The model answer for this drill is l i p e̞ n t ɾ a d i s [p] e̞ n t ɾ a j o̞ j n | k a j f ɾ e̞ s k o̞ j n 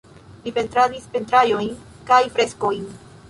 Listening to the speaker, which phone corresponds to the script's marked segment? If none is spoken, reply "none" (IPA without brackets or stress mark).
p